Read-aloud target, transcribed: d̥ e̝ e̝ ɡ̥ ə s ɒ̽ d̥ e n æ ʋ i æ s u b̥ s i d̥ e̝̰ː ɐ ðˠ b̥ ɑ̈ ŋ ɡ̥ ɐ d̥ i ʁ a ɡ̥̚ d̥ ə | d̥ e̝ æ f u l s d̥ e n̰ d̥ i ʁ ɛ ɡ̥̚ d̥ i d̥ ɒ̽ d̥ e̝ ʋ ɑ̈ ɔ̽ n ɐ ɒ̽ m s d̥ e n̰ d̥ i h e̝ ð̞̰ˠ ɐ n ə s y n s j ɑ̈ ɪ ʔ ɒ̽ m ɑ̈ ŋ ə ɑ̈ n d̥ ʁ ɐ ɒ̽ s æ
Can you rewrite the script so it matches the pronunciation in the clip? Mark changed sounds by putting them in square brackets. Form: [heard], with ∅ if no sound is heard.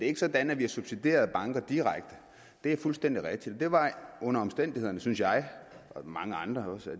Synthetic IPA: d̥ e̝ e̝ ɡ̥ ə s ɒ̽ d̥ [æ] n æ ʋ i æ s u b̥ s i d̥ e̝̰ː ɐ ðˠ b̥ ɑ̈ ŋ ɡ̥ ɐ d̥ i ʁ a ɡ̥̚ d̥ ə | d̥ e̝ æ f u l s d̥ e n̰ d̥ i ʁ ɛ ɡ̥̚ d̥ i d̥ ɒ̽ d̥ e̝ ʋ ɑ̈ ɔ̽ n ɐ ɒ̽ m s d̥ e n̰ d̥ i h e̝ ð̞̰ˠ ɐ n ə s y n s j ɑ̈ ɪ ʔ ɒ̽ m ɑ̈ ŋ ə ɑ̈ n d̥ ʁ ɐ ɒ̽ s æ